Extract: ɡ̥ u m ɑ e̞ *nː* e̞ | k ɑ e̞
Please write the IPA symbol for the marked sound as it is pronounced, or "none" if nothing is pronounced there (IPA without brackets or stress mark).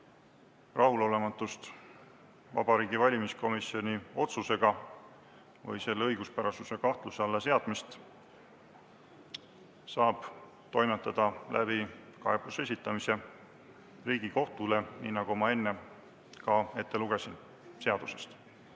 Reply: nː